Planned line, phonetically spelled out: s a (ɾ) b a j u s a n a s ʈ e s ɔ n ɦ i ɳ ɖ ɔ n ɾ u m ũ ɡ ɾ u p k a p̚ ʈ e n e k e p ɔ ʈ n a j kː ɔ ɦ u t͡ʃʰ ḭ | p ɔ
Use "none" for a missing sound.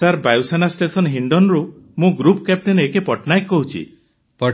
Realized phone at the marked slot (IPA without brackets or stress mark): ɾ